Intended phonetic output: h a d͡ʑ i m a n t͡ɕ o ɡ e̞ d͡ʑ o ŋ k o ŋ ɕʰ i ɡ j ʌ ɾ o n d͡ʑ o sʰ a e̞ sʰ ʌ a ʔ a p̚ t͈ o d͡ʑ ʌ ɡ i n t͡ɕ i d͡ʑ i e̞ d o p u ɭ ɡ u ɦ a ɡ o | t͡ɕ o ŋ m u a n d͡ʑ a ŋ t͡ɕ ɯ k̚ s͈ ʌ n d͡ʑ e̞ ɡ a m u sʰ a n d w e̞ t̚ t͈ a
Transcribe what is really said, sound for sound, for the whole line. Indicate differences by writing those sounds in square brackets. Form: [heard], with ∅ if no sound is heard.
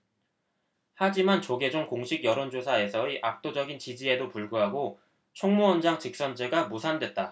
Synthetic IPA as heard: h a d͡ʑ i m a n t͡ɕ o ɡ e̞ d͡ʑ o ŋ k o ŋ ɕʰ i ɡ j ʌ ɾ o n d͡ʑ o sʰ a e̞ sʰ ʌ [i] ʔ a [k̚] t͈ o d͡ʑ ʌ ɡ i n t͡ɕ i d͡ʑ i e̞ d o p u ɭ ɡ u ɦ a ɡ o | [t͡ɕʰ] o ŋ m u [ʌ] n d͡ʑ a ŋ t͡ɕ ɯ k̚ s͈ ʌ n d͡ʑ e̞ ɡ a m u sʰ a n d w e̞ t̚ t͈ a